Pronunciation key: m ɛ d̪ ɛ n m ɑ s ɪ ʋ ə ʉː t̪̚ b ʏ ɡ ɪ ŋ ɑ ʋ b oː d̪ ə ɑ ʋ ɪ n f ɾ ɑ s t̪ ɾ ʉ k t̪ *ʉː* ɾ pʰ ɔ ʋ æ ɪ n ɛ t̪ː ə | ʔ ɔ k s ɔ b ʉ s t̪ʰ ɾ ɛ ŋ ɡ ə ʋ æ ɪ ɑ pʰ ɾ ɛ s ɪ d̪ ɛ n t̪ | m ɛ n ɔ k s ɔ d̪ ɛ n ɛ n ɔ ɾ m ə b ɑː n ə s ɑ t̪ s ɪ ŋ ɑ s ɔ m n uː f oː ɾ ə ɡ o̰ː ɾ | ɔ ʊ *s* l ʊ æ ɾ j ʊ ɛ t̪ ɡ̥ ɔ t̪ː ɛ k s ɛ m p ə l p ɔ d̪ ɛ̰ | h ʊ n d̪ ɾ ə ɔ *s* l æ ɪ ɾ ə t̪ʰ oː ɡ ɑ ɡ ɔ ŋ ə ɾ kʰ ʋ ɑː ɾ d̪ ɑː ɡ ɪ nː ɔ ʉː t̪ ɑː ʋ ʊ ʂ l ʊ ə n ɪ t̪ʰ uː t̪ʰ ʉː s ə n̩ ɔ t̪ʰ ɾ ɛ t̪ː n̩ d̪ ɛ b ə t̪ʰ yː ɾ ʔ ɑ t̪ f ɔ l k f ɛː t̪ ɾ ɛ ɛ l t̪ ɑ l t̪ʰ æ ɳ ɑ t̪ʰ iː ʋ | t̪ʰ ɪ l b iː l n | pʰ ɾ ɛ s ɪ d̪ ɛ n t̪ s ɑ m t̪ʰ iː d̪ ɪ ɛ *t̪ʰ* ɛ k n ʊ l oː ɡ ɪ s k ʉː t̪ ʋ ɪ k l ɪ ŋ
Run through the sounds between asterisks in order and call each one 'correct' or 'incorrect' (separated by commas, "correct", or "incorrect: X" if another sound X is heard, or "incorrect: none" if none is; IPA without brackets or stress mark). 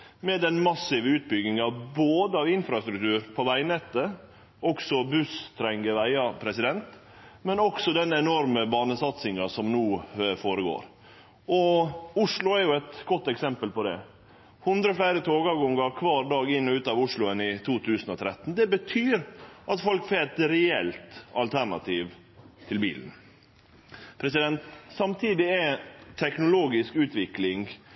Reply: correct, incorrect: ʂ, incorrect: f, correct